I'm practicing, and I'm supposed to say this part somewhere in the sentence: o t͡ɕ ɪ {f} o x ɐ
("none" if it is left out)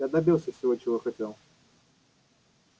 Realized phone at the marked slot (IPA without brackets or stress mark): v